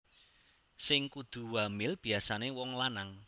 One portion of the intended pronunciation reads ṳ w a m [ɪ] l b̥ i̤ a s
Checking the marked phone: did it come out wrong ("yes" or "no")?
no